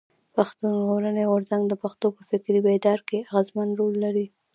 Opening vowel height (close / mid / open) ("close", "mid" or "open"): open